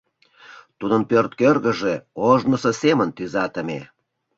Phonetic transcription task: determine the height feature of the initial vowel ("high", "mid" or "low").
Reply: high